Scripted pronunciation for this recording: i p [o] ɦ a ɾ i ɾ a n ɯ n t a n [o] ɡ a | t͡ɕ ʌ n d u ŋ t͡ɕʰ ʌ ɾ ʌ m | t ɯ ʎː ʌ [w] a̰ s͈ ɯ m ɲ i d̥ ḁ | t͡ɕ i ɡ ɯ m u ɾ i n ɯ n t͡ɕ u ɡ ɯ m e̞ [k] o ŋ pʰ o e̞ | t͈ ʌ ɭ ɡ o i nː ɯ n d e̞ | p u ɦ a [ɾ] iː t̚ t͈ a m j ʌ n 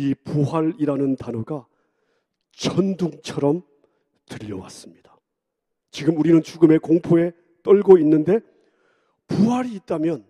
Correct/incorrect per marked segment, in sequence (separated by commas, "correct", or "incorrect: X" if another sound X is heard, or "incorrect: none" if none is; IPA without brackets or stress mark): incorrect: u, correct, correct, correct, correct